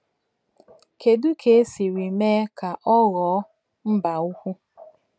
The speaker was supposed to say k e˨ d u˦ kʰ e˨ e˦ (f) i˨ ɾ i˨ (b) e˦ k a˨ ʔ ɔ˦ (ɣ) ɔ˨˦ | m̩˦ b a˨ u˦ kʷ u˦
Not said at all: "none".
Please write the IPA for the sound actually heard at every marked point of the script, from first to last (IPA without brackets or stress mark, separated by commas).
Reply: s, m, ɣ